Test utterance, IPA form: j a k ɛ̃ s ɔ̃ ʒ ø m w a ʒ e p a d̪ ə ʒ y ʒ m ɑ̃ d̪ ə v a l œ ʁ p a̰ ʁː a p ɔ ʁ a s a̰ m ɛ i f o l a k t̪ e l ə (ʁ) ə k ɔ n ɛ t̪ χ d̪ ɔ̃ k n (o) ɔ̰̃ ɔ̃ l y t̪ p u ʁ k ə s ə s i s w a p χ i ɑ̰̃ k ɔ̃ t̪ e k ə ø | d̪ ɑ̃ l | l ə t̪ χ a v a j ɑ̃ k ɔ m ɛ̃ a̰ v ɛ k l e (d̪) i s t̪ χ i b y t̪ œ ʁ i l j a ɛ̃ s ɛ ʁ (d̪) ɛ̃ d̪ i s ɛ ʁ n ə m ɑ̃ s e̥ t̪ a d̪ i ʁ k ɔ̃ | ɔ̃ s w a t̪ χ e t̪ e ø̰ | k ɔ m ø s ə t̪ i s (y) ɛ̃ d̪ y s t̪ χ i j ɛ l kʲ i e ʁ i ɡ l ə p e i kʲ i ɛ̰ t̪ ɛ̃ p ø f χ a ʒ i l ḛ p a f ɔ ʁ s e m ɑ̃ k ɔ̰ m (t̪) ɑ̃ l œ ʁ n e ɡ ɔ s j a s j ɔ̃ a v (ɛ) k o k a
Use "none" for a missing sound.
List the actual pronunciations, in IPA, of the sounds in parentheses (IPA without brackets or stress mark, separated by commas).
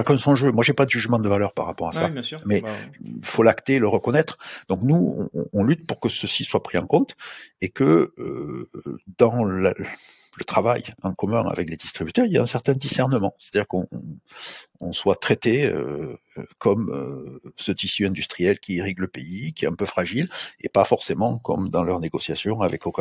ʁ, u, d̪, t̪, y, d̪, ɛ